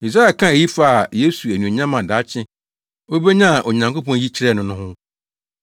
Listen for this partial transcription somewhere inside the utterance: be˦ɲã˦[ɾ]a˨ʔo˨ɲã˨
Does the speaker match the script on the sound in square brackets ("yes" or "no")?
no